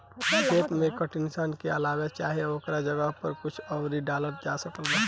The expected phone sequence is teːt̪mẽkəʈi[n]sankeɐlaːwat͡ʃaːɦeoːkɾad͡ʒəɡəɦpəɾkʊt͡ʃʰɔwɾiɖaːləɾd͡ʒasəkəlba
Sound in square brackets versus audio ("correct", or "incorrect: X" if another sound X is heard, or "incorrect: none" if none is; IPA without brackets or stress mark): correct